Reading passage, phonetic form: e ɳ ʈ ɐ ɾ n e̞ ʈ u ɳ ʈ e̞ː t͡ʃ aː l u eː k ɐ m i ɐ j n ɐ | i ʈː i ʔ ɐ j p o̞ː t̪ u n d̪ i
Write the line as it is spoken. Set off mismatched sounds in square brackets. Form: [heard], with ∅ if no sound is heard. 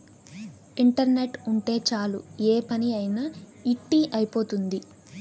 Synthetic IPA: [i] ɳ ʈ ɐ ɾ n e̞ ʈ u ɳ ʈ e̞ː t͡ʃ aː l u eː [p] ɐ [n] i ɐ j n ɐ | i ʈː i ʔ ɐ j p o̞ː t̪ u n d̪ i